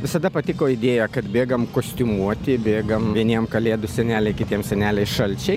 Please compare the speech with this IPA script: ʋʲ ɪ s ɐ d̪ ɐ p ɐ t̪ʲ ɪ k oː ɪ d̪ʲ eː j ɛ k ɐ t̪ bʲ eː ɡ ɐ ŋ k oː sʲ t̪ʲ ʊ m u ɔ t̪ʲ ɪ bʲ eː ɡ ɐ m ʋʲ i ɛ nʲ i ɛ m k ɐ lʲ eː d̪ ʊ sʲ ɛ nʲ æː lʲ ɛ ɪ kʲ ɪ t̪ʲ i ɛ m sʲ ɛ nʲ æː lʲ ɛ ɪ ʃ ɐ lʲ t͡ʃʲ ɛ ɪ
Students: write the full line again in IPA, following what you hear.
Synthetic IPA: ʋʲ ɪ s ɐ d̪ ɐ p ɐ t̪ʲ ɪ k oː ɪ d̪ʲ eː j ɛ k ɐ t̪ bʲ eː ɡ ɐ m k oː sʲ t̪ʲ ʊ m u ɔ t̪ʲ ɪ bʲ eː ɡ ɐ m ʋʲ i ɛ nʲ i ɛ m k ɐ lʲ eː d̪ ʊ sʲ ɛ nʲ æː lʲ ɛ ɪ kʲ ɪ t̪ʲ i ɛ m sʲ ɛ nʲ æː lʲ ɛ ɪ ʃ ɐ lʲ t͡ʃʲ ɛ ɪ